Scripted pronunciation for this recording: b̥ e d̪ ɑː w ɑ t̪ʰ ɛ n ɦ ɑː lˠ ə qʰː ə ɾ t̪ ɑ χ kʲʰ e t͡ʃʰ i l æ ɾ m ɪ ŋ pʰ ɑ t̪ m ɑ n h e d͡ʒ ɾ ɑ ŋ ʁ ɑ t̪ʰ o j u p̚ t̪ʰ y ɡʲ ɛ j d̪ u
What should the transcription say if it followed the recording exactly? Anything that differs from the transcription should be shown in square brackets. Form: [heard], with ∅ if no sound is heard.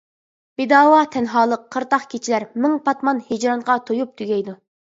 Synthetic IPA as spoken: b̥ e d̪ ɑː w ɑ t̪ʰ ɛ n ɦ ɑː lˠ ə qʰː ə ɾ t̪ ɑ χ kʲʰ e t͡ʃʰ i l æ ɾ m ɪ ŋ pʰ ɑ t̪ m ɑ n h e d͡ʒ ɾ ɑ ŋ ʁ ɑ t̪ʰ o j u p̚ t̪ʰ y ɡʲ ɛ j d̪ u